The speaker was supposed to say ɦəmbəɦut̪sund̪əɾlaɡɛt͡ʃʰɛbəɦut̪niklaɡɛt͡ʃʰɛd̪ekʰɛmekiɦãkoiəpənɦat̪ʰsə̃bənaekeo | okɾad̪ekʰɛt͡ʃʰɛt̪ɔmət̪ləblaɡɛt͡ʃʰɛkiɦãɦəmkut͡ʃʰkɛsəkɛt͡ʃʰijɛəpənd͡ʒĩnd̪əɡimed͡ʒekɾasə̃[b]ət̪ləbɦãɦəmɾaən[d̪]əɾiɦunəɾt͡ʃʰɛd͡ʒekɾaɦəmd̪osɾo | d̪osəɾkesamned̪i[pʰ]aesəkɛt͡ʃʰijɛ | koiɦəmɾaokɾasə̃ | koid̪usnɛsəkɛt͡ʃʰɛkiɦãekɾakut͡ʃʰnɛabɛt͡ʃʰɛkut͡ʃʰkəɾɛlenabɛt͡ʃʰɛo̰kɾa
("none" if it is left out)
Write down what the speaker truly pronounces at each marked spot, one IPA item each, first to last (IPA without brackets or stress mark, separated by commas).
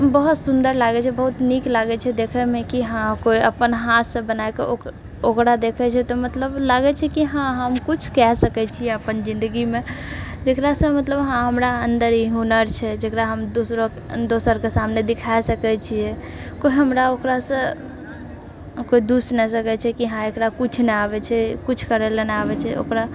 m, d̪, kʰ